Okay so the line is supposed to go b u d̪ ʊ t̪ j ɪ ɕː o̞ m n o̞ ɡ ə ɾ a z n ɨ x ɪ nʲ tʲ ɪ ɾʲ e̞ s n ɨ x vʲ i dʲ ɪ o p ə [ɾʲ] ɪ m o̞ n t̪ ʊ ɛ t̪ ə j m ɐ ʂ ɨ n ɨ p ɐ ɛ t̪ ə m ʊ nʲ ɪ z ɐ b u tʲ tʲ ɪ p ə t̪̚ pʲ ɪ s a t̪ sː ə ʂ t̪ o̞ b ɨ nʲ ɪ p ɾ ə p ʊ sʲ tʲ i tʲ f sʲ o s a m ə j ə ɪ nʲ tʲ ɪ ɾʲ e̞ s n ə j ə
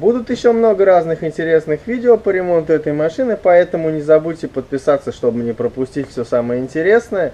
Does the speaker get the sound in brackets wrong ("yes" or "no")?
no